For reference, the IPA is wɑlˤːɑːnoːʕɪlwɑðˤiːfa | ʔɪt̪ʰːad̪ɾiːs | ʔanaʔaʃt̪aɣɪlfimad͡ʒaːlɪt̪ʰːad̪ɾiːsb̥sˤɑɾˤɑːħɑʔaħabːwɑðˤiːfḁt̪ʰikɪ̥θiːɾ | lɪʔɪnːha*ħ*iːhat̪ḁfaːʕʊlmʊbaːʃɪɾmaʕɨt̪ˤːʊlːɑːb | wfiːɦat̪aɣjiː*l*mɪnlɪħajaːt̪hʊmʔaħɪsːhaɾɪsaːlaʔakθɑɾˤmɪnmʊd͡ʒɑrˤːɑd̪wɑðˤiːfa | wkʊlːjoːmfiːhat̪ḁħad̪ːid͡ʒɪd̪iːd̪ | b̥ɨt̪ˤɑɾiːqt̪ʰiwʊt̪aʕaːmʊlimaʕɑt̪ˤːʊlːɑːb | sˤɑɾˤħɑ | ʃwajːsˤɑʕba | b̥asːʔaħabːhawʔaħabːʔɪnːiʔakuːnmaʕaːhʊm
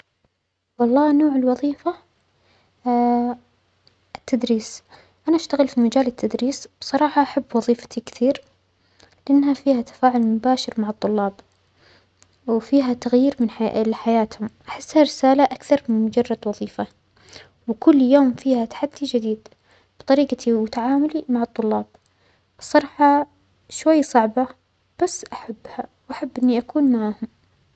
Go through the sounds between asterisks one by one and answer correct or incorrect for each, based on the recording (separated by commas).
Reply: incorrect, incorrect